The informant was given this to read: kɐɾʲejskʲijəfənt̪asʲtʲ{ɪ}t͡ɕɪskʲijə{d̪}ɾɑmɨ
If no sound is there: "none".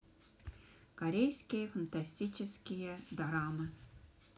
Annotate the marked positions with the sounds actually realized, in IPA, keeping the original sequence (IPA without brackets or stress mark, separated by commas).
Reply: i, d̪